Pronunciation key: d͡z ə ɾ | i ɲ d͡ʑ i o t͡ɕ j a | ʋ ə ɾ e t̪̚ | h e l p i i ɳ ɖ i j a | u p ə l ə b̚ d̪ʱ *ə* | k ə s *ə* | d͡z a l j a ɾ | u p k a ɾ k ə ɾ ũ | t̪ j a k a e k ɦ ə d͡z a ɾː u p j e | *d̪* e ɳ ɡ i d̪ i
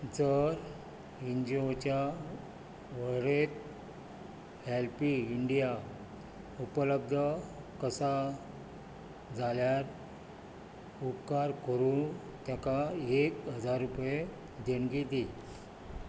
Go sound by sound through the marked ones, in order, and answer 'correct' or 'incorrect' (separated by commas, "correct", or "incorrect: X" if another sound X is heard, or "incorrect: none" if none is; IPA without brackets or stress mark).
correct, incorrect: a, correct